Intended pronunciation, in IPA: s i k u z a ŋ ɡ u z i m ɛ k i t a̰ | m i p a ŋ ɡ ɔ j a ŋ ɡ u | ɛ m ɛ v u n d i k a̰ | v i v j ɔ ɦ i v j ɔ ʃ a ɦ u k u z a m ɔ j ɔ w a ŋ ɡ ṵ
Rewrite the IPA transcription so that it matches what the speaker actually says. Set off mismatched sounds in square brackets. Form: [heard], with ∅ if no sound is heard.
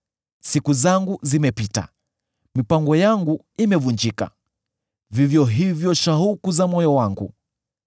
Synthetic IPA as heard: s i k u z a ŋ ɡ u z i m ɛ [p] i t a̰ | m i p a ŋ ɡ ɔ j a ŋ ɡ u | [i] m ɛ v u n [d͡ʒ] i k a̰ | v i v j ɔ ɦ i v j ɔ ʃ a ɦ u k u z a m ɔ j ɔ w a ŋ ɡ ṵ